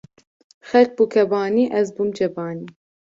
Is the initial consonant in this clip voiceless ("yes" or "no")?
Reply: yes